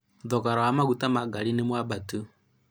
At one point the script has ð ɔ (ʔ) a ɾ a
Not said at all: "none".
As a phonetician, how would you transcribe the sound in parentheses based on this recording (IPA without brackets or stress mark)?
k